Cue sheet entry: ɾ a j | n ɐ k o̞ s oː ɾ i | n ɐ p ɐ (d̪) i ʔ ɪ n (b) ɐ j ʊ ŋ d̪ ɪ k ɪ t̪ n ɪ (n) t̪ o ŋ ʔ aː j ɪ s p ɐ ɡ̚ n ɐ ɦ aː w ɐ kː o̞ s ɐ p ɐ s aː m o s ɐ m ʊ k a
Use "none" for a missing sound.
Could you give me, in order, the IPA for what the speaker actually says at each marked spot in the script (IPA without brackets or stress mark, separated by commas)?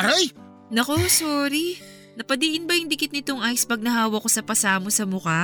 d̪, b, none